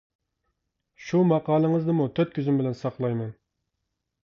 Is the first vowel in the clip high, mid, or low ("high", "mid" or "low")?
high